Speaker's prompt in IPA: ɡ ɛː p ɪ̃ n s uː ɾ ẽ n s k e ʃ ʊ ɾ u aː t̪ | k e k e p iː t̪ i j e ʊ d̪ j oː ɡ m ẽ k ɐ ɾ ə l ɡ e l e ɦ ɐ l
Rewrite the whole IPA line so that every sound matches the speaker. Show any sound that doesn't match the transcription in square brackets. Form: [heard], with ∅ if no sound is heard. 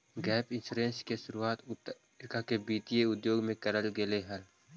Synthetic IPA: ɡ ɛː p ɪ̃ n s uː ɾ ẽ n s k e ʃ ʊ ɾ u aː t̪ | k [a] k e [b] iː t̪ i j e ʊ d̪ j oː ɡ m ẽ k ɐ ɾ ə l ɡ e l e ɦ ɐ l